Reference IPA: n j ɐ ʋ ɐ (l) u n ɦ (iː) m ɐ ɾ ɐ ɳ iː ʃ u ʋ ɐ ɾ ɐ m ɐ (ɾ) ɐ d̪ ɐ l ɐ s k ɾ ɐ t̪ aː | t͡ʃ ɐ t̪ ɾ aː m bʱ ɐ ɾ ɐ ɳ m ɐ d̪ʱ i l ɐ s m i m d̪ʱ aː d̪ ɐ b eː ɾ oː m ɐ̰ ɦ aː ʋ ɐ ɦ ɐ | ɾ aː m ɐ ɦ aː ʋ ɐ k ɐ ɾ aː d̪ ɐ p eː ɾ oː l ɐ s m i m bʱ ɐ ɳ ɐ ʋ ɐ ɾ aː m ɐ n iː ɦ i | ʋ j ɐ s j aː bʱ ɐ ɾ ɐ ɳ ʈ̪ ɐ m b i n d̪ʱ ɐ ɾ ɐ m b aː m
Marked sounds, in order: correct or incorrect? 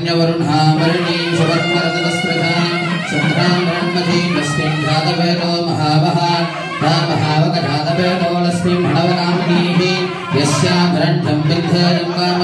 incorrect: ɾ, incorrect: aː, correct

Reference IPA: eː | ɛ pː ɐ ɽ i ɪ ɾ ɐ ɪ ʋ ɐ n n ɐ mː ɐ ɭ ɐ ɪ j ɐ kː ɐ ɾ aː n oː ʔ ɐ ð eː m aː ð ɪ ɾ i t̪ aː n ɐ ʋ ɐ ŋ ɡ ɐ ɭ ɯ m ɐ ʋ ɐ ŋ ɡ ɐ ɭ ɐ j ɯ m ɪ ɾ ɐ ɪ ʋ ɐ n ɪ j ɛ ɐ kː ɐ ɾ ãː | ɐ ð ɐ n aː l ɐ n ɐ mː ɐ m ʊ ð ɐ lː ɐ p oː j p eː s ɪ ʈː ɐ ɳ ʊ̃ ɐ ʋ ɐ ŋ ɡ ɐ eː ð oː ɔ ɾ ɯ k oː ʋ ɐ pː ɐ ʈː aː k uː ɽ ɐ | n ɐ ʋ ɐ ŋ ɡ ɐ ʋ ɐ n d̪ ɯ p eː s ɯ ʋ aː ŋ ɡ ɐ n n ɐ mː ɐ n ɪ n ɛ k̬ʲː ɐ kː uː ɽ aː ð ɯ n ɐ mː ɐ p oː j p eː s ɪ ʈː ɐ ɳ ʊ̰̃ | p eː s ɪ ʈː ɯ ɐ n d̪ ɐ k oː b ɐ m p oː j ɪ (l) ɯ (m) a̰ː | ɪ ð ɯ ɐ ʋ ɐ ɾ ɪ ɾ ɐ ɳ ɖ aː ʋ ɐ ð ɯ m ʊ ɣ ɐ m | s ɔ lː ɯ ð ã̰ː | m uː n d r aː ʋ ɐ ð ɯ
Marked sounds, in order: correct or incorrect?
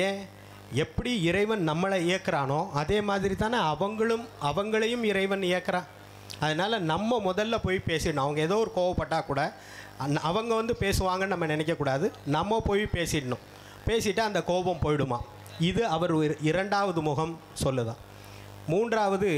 incorrect: ɽ, correct

